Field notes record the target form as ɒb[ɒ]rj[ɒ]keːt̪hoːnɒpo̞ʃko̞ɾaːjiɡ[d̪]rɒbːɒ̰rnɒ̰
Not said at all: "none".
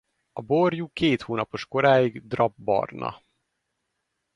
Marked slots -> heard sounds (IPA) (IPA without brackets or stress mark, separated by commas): o, u, d̪